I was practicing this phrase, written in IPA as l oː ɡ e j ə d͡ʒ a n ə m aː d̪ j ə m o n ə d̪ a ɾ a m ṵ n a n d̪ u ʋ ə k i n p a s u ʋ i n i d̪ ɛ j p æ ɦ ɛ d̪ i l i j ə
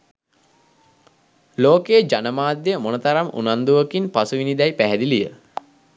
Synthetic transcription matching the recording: l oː k e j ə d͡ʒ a n ə m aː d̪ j ə m o n ə t̪ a ɾ a m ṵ n a n d̪ u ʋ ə k i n p a s u ʋ i n i d̪ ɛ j p æ ɦ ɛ d̪ i l i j ə